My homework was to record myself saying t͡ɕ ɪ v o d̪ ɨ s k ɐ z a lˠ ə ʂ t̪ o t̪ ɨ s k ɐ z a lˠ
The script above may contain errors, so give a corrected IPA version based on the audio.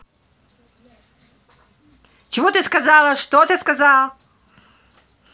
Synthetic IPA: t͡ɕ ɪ v o t̪ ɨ s k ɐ z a lˠ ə ʂ t̪ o t̪ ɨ s k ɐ z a lˠ